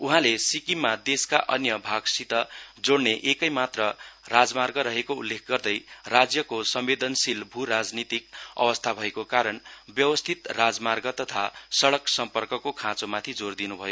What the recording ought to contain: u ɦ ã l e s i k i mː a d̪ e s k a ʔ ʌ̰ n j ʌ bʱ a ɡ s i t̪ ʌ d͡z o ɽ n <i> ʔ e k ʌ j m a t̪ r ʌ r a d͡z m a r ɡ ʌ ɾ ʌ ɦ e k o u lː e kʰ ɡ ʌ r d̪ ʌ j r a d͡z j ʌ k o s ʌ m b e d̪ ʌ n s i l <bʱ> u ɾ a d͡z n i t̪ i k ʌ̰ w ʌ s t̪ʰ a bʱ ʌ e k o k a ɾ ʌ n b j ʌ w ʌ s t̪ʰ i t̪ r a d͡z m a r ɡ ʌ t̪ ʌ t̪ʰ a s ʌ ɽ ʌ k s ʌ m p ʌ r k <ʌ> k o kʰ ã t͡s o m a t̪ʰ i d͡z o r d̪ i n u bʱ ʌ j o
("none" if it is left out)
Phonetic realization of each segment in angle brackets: e, bʱ, ʌ

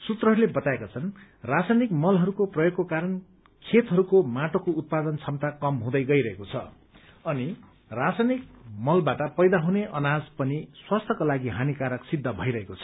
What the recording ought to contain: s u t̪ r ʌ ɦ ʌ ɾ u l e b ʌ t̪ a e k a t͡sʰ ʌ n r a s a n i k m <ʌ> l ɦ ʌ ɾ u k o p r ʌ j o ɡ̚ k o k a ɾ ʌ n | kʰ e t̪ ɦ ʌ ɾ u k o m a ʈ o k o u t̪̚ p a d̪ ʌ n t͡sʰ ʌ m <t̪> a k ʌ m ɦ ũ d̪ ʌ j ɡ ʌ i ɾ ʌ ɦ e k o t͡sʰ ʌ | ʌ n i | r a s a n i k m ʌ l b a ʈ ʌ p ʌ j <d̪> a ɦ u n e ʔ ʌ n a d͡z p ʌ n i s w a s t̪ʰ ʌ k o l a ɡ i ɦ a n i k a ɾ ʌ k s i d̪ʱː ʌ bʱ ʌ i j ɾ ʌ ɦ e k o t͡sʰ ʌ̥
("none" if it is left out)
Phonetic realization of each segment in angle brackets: ʌ, t̪, d̪

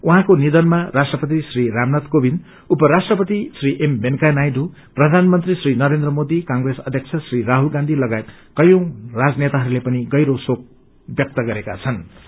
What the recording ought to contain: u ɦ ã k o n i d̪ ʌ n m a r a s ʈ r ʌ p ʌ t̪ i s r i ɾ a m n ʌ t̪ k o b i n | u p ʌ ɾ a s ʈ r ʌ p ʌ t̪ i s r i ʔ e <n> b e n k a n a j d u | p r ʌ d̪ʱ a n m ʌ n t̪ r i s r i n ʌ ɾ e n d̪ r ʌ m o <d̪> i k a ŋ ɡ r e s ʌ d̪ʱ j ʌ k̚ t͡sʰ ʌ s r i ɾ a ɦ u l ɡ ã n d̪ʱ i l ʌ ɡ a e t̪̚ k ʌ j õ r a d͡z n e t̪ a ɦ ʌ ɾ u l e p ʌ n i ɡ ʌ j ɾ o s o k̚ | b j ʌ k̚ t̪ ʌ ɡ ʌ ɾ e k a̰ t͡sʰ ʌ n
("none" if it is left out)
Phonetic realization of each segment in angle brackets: m, d̪

